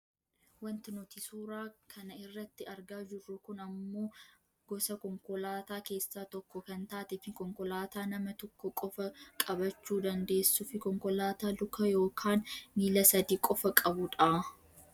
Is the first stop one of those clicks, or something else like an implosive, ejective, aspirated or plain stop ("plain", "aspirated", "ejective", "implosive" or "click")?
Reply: plain